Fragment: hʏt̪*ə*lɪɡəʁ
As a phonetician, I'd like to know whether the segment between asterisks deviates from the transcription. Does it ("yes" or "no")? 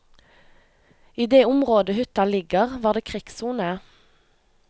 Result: yes